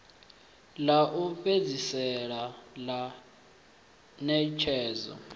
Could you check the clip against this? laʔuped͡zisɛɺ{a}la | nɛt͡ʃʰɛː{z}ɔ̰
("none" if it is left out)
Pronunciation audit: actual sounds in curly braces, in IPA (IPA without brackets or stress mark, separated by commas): a, z